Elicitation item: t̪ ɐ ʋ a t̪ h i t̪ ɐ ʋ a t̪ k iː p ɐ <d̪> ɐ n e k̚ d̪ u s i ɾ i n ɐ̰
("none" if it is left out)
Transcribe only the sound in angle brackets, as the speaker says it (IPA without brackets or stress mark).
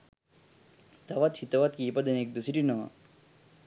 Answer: d̪